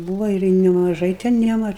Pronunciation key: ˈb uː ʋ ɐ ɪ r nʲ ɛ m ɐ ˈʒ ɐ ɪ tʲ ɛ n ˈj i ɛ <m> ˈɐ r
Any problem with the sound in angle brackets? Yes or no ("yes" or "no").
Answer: no